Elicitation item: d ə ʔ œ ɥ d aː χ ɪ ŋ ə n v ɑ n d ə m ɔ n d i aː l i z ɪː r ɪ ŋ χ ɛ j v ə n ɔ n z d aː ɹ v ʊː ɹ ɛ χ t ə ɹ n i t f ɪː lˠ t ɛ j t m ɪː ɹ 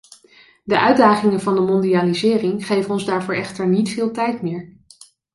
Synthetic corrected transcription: d ə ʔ œ ɥ d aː χ ɪ ŋ ə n v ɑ n d ə m ɔ n d i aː l i z ɪː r ɪ ŋ χ e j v ə n ɔ n z d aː ɹ v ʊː ɹ ɛ χ t ə ɹ n i t f ɪː lˠ t ɛ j t m ɪː ɹ